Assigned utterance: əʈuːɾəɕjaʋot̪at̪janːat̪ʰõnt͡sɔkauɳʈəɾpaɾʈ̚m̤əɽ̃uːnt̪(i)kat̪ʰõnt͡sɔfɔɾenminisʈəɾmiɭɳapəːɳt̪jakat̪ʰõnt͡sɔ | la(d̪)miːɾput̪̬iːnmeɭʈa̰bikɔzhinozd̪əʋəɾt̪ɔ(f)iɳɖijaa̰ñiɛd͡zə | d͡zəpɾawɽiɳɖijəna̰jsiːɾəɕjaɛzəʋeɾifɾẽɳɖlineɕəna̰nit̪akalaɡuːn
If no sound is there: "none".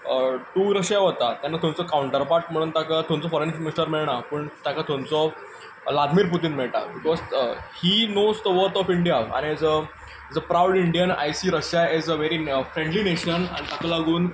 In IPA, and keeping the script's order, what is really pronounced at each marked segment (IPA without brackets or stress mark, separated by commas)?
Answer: a, d̪, f